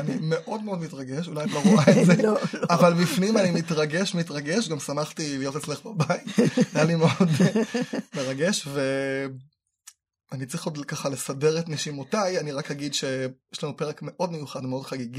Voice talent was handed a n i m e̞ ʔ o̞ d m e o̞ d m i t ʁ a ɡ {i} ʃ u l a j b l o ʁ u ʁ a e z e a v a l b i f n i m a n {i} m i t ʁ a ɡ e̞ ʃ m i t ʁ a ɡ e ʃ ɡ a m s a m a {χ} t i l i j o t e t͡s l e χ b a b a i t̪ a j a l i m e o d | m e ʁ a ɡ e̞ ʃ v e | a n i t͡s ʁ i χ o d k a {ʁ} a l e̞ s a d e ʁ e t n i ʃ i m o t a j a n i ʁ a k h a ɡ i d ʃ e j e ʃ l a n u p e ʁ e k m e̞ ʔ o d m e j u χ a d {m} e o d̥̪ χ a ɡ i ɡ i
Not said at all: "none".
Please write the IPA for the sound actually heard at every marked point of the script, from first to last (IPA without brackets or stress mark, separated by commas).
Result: e, i, χ, χ, m